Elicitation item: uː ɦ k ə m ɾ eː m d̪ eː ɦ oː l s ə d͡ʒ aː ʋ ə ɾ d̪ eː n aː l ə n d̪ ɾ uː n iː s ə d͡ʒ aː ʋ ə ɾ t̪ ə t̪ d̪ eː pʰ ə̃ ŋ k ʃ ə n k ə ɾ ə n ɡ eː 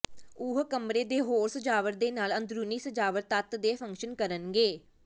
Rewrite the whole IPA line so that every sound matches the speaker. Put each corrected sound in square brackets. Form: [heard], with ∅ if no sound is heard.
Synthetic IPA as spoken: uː ɦ k ə m ɾ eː [∅] d̪ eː ɦ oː [ɾ] s ə d͡ʒ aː ʋ ə ɾ d̪ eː n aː l ə n d̪ ɾ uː n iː s ə d͡ʒ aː ʋ ə ɾ t̪ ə t̪ d̪ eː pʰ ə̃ ŋ k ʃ ə n k ə ɾ ə n ɡ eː